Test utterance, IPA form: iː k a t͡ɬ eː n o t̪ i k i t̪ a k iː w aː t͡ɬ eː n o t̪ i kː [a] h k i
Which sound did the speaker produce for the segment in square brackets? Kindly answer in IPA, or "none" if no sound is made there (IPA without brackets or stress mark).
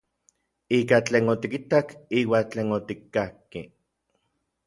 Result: a